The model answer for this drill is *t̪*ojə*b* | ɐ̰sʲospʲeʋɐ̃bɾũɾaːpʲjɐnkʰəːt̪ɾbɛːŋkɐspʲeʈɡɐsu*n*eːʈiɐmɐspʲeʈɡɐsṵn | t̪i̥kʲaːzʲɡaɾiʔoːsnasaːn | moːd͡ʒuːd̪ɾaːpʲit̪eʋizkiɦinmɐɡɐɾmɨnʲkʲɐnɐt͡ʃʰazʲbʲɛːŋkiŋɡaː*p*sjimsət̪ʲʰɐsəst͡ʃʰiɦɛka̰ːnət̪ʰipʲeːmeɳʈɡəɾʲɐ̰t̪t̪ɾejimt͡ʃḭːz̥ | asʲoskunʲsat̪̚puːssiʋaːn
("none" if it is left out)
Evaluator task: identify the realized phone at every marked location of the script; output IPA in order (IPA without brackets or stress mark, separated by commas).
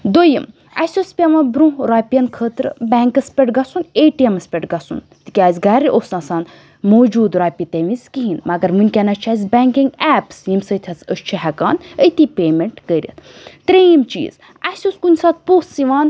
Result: d̪, m, n, p